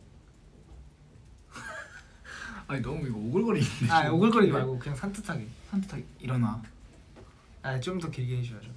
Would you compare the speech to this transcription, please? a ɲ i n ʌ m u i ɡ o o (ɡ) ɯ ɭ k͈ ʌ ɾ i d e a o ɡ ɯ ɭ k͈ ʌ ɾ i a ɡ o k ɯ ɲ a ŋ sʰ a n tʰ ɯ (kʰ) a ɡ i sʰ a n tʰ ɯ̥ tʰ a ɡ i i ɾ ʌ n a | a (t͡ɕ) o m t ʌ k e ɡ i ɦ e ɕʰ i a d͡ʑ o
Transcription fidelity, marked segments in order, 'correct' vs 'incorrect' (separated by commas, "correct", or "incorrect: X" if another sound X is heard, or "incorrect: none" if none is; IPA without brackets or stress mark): correct, incorrect: tʰ, correct